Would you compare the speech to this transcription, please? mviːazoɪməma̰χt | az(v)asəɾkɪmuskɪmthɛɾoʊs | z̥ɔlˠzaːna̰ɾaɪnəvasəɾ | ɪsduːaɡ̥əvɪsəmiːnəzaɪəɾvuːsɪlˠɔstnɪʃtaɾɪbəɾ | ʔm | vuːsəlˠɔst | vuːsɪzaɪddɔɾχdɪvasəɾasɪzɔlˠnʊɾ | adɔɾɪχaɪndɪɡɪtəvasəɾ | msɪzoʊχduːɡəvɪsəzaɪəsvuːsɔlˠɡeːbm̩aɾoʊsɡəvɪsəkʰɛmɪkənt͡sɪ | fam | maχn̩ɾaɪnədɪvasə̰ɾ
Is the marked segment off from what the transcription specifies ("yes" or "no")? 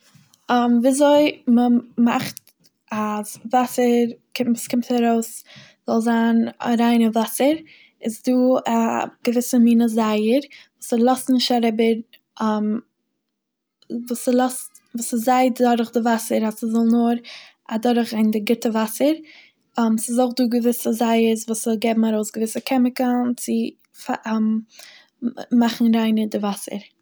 no